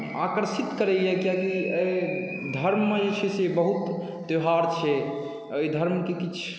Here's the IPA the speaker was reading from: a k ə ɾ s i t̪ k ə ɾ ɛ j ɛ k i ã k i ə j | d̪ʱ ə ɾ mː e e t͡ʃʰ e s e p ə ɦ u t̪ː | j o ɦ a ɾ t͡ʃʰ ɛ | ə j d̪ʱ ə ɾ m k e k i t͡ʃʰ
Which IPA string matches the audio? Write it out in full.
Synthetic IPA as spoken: a k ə ɾ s i t̪ k ə ɾ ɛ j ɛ k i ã k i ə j | d̪ʱ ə ɾ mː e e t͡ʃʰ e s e b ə ɦ u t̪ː | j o ɦ a ɾ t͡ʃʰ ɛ | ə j d̪ʱ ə ɾ m k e k i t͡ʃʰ

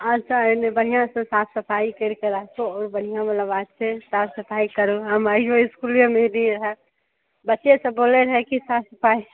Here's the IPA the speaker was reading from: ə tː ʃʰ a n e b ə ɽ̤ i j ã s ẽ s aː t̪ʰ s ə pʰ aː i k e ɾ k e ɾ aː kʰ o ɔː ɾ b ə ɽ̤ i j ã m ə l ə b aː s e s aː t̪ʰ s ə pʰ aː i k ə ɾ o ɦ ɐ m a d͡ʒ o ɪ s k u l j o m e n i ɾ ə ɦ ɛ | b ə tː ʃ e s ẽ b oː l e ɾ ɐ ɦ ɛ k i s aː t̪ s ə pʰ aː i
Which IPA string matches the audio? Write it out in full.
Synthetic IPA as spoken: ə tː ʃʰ a n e b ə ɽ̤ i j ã s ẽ s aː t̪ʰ s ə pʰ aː i k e ɾ k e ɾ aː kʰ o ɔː ɾ b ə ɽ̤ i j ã m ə l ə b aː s e s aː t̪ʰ s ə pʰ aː i k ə ɾ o ɦ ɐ m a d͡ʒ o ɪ s k u l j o m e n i ɾ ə ɦ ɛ | b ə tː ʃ e s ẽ b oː l e ɾ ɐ ɦ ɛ k i s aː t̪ s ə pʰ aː i

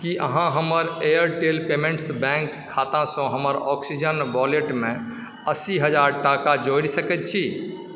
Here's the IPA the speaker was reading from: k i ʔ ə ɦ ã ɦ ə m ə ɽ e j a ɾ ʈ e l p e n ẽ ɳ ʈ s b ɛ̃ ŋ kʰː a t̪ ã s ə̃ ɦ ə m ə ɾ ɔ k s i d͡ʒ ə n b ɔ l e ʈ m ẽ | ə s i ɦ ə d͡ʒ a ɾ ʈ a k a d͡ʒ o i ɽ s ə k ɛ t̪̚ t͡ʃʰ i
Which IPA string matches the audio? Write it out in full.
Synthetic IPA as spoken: k i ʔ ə ɦ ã ɦ ə m ə ɾ e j ə ɾ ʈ e l p e m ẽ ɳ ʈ s b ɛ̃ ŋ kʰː a t̪ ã s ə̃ ɦ ə m ə ɾ ɔ k s i d͡ʒ ə n b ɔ l e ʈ m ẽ | ə s i ɦ ə d͡ʒ a ɾ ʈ a k a d͡ʒ o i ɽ s ə k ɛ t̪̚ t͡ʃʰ i

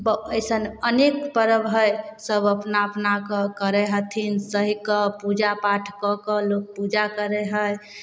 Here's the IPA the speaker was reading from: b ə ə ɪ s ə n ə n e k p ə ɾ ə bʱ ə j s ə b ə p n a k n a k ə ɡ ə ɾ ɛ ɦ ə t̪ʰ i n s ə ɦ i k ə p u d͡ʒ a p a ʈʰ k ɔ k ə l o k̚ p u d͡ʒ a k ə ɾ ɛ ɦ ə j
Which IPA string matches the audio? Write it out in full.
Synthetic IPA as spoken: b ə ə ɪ s ə n ə n e k p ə ɾ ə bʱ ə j s ə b ə p n a p n a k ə k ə ɾ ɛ ɦ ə t̪ʰ i n s ə ɦ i k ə p u d͡ʒ a p a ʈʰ k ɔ k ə l o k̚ p u d͡ʒ a k ə ɾ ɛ ɦ ə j

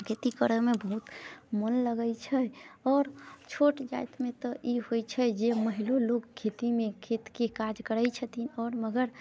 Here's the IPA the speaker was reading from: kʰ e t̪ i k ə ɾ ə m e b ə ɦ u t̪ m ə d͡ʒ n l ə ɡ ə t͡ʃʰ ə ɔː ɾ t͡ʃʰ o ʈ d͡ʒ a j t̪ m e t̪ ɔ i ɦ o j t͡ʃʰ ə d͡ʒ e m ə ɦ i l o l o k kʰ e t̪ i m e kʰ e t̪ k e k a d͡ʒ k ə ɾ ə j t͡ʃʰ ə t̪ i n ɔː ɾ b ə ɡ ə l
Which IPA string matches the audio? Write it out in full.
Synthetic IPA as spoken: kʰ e t̪ i k ə ɾ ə m e b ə ɦ u t̪ m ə n l ə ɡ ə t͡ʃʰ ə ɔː ɾ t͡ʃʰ o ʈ d͡ʒ a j t̪ m e t̪ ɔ i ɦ o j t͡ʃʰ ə d͡ʒ e m ə ɦ i l o l o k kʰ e t̪ i m e kʰ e t̪ k e k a d͡ʒ k ə ɾ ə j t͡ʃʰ ə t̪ i n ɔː ɾ m ə ɡ ə ɾ

